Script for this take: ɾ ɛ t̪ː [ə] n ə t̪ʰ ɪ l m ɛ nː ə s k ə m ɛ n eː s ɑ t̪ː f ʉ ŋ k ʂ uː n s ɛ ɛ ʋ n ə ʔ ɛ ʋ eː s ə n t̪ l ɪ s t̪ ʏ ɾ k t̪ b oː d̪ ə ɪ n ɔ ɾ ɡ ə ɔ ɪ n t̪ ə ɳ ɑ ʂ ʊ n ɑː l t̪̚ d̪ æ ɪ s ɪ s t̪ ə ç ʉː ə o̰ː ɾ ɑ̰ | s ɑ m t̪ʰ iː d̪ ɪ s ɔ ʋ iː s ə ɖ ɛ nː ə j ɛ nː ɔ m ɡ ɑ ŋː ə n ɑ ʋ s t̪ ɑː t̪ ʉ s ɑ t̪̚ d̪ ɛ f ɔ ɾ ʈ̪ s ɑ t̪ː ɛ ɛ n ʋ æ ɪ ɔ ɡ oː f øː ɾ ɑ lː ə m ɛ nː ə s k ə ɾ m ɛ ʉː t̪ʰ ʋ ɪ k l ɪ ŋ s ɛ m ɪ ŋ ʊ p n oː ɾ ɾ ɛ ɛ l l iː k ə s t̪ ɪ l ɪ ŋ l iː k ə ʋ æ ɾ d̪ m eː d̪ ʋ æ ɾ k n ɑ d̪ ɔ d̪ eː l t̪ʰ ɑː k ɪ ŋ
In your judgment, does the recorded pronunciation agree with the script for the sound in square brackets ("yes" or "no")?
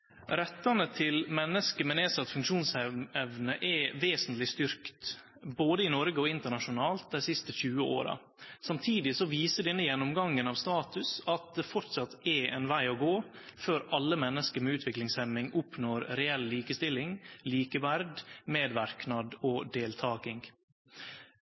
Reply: no